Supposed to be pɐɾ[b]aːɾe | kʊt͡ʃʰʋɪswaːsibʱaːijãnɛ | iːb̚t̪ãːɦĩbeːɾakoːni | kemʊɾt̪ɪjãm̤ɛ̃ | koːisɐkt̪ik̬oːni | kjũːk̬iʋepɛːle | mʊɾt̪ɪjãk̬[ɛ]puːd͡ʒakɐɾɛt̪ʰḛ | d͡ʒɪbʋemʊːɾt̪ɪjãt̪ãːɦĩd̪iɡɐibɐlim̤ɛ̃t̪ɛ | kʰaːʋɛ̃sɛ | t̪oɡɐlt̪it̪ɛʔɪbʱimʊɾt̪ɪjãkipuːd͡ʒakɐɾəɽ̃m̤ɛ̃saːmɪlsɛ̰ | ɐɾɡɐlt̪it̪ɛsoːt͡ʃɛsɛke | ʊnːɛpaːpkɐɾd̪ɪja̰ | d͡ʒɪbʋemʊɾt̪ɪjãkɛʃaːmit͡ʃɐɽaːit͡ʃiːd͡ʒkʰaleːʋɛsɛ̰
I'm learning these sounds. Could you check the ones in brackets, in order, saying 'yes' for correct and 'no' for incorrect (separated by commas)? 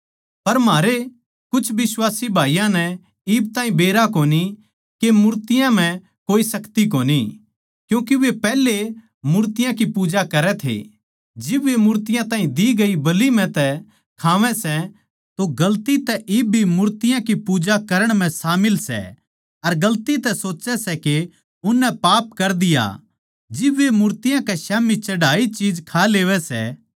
no, no